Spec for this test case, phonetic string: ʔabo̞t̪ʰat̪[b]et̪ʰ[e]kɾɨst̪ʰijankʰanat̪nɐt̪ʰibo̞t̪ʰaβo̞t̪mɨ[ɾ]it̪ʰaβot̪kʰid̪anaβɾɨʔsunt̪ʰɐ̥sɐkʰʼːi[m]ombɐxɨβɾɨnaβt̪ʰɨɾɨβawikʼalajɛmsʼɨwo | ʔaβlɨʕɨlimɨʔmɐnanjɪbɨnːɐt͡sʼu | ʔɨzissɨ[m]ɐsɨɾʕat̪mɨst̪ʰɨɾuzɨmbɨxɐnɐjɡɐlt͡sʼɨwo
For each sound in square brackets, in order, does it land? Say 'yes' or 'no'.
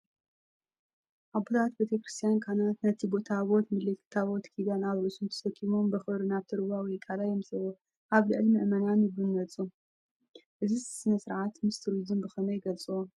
yes, yes, no, yes, no

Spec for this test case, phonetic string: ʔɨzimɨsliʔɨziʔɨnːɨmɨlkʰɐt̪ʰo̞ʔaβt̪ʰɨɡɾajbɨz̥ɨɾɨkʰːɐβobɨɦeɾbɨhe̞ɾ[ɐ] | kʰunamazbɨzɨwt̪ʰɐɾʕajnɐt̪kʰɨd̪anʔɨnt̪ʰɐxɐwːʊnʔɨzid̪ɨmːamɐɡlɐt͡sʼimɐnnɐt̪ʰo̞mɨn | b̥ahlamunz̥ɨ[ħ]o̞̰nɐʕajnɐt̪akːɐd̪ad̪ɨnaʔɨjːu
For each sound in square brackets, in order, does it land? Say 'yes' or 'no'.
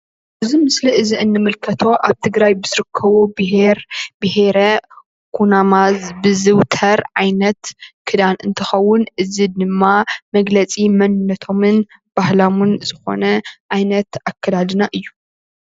yes, no

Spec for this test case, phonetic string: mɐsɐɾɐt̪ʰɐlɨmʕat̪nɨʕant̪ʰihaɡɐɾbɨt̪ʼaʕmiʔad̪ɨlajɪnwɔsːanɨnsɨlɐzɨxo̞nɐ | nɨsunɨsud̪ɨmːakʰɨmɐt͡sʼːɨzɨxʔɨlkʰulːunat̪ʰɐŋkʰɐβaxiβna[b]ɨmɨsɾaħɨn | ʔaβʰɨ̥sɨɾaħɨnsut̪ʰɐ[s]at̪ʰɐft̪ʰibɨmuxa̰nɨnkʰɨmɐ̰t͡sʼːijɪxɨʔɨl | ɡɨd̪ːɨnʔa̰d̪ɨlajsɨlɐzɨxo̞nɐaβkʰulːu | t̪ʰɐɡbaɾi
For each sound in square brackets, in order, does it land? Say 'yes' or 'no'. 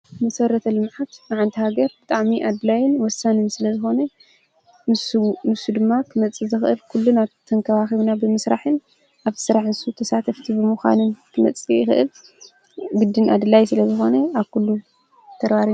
yes, yes

